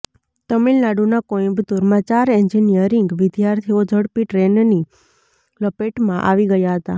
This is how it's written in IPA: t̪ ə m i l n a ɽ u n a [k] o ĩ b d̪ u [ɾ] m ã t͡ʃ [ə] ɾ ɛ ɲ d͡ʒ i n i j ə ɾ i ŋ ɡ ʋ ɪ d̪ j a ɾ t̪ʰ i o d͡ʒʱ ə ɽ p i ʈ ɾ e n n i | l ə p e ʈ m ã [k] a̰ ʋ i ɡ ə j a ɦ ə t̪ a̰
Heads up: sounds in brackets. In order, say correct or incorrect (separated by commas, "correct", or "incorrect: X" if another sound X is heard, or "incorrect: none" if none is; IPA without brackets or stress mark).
correct, correct, incorrect: a, incorrect: ʔ